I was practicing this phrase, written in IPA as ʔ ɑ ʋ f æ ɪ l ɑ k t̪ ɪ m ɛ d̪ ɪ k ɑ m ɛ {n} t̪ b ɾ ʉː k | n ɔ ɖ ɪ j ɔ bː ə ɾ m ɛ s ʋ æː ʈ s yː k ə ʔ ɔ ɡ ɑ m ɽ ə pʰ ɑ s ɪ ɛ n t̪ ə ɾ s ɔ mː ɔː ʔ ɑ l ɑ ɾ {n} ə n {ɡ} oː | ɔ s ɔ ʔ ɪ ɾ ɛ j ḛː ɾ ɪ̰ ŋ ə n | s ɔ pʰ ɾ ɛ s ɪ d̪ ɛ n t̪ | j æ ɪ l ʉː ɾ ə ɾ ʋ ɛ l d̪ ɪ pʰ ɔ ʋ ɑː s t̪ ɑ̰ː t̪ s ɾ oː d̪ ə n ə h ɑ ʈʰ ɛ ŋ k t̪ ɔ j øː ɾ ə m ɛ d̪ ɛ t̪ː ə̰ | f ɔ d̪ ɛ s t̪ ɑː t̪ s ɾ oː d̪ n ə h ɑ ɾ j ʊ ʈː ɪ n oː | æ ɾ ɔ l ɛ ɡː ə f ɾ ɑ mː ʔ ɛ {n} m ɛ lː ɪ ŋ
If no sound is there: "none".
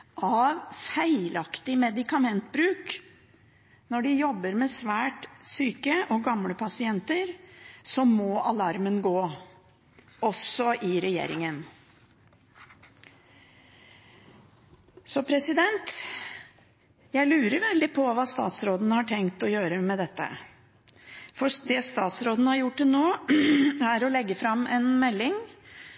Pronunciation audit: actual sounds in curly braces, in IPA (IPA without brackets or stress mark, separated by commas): n, m, ɡ, n